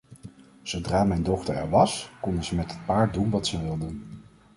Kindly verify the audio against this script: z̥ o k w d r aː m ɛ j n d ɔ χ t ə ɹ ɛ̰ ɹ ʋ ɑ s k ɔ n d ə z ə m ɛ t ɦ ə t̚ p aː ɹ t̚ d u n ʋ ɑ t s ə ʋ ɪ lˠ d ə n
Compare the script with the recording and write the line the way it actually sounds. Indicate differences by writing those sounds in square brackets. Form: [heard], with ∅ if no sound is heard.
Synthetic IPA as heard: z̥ o [∅] w d r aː m ɛ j n d ɔ χ t ə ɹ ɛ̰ ɹ ʋ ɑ s k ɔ n d ə z ə m ɛ t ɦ ə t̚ p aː ɹ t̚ d u n ʋ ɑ t s ə ʋ ɪ lˠ d ə n

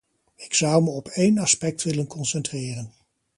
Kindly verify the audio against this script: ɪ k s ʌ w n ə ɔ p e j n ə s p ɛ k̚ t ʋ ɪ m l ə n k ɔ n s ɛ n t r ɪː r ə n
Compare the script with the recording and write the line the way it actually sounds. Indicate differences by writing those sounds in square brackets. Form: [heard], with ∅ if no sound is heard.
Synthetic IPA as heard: ɪ k s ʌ w [m] ə ɔ p e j n [ɑ] s p ɛ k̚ t ʋ ɪ [∅] l ə n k ɔ n s ɛ n t r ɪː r ə n

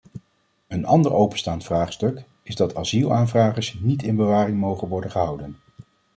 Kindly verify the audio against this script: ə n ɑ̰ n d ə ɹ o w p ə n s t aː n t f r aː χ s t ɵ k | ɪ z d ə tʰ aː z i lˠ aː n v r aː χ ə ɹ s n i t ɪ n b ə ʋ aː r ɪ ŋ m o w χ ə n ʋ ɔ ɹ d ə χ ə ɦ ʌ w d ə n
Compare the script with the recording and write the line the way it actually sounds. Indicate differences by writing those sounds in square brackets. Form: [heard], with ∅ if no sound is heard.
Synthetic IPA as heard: ə n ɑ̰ n d ə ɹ o w p ə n s t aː n t f r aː χ s t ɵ k | ɪ z d [ɑ] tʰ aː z i lˠ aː n v r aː χ ə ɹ s n i t ɪ n b ə ʋ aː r ɪ ŋ m o w χ ə n ʋ ɔ ɹ d ə χ ə ɦ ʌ w d ə n

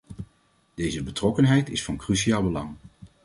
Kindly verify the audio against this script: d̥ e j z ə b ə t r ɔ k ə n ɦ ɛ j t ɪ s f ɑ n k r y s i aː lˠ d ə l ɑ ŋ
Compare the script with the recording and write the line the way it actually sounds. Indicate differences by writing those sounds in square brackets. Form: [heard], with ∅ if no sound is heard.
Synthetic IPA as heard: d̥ e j z ə b ə t r ɔ k ə n ɦ ɛ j t ɪ s f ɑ n k r y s i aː lˠ [b] ə l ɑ ŋ

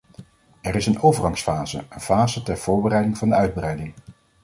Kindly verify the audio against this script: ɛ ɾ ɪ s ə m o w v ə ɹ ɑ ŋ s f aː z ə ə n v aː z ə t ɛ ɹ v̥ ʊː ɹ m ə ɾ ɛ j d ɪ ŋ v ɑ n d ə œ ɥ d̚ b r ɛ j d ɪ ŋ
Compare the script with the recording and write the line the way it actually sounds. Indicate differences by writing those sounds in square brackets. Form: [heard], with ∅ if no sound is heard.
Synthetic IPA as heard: ɛ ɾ ɪ s ə [n] o w v ə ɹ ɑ ŋ s f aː z ə ə n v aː z ə t ɛ ɹ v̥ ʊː ɹ [b] ə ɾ ɛ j d ɪ ŋ v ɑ n d ə œ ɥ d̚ b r ɛ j d ɪ ŋ

